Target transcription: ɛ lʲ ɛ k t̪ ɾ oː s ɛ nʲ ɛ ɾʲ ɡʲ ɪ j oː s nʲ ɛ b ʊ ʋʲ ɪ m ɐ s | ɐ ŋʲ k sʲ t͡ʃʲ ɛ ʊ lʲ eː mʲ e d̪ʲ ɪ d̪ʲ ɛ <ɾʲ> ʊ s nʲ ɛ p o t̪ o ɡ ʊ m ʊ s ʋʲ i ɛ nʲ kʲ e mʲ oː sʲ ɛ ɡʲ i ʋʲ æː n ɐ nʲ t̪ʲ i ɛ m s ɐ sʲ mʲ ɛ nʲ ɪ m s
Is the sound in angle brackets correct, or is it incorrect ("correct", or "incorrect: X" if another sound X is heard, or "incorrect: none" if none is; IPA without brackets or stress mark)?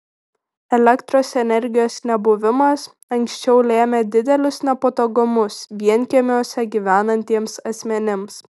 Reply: incorrect: lʲ